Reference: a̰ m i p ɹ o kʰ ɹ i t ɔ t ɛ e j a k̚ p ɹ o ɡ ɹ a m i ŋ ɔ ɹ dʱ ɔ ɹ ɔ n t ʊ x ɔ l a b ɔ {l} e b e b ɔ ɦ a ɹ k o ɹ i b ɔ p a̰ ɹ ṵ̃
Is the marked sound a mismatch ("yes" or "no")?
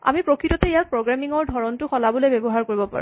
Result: no